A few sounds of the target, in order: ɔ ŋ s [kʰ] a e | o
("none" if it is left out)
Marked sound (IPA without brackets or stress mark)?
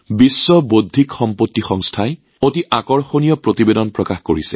tʰ